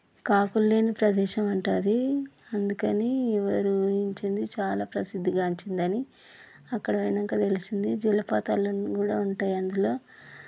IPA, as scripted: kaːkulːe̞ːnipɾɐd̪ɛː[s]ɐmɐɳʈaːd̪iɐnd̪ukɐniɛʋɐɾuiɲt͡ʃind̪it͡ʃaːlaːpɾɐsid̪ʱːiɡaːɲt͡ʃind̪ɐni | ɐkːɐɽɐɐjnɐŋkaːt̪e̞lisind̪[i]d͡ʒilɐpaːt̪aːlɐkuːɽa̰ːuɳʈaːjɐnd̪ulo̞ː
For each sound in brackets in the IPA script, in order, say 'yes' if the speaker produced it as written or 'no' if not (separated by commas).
no, yes